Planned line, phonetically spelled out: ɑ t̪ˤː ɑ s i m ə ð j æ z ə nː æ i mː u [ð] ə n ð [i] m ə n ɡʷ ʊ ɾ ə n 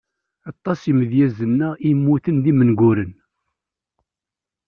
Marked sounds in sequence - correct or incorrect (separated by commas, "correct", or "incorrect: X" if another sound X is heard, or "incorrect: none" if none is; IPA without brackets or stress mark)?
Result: incorrect: θ, correct